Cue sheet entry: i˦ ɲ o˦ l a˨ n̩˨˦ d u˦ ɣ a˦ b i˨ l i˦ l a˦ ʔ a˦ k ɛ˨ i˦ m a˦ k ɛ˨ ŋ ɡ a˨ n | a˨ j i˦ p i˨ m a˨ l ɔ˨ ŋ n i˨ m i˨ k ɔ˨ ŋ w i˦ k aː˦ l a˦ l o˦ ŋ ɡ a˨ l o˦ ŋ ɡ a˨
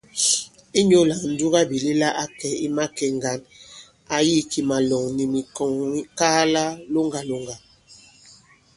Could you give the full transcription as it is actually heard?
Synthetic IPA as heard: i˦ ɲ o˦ l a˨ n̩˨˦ d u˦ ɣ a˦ b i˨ l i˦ l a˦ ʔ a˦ k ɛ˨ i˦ m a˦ k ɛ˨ ŋ ɡ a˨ n | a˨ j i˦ k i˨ m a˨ l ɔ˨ ŋ n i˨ m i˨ k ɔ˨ ŋ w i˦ k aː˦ l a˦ l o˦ ŋ ɡ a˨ l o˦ ŋ ɡ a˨